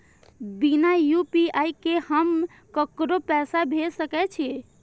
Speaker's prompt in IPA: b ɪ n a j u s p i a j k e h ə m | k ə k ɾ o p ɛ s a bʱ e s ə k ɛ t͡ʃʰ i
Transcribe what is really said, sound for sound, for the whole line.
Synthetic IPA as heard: b i n a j u p i a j k e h ə m | k ə k ɾ o p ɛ s a bʱ e s ə k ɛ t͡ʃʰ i